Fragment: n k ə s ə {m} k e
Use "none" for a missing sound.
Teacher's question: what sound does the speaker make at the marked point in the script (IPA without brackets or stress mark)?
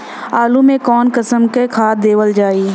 m